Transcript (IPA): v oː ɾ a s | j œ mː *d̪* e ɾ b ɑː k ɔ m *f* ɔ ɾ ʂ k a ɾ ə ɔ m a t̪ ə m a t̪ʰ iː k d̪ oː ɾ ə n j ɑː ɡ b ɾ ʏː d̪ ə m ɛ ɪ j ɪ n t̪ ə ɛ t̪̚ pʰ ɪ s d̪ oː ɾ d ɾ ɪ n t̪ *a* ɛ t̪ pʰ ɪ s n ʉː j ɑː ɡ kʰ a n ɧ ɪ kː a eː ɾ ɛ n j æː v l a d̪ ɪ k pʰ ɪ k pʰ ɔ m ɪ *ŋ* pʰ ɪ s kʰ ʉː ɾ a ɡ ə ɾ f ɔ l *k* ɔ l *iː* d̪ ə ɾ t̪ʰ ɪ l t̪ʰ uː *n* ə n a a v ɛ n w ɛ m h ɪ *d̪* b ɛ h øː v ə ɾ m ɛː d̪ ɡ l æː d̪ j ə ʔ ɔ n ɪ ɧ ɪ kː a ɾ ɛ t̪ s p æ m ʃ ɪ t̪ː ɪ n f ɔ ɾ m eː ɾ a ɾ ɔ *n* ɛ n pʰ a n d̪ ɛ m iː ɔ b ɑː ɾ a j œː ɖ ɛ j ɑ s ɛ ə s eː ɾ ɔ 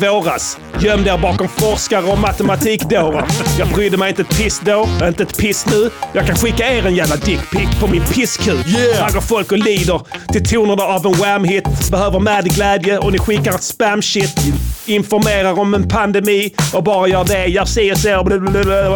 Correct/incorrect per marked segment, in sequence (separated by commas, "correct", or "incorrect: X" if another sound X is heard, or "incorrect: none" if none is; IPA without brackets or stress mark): correct, correct, incorrect: ə, incorrect: n, correct, correct, correct, incorrect: t̪, incorrect: m